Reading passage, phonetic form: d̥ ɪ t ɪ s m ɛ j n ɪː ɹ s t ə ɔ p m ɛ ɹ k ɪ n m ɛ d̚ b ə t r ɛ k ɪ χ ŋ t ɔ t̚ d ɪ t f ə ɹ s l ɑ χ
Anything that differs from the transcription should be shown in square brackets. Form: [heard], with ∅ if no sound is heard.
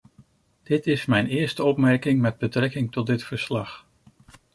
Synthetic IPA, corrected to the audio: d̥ ɪ t ɪ s m ɛ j n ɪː ɹ s t ə ɔ p m ɛ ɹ k ɪ [ŋ] m ɛ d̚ b ə t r ɛ k ɪ [∅] ŋ t ɔ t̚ d ɪ t f ə ɹ s l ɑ χ